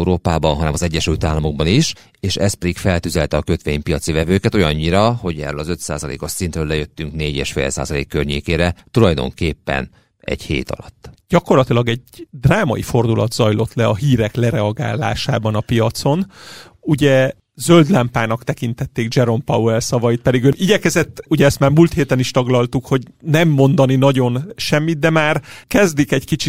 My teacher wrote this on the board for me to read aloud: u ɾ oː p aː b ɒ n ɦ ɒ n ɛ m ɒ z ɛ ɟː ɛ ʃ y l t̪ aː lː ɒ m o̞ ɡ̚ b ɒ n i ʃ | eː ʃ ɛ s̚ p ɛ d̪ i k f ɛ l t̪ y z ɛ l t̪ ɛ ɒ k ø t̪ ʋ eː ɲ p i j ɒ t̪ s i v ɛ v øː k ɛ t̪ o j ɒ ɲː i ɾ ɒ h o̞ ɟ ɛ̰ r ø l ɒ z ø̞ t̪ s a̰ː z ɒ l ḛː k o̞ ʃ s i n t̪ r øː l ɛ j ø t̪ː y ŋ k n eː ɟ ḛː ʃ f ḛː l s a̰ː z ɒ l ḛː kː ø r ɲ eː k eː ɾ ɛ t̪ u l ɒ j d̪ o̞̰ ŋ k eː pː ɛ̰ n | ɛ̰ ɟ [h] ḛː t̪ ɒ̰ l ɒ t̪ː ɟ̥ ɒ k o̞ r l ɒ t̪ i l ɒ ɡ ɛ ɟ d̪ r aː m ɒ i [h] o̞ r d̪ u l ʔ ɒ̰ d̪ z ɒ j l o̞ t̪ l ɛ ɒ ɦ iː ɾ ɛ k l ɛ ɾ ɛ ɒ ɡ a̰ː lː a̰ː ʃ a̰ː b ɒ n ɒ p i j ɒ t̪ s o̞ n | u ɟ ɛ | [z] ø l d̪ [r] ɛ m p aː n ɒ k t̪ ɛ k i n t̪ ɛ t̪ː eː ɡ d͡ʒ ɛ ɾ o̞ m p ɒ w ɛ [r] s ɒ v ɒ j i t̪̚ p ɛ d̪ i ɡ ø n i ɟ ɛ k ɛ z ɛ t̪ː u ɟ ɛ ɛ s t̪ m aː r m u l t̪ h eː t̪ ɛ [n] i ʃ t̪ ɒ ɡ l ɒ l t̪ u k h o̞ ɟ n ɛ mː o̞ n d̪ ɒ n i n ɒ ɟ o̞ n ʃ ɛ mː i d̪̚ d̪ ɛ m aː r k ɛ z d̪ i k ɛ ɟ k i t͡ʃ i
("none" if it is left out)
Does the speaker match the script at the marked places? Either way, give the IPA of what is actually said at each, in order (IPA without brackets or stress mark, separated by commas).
h, f, z, l, l, n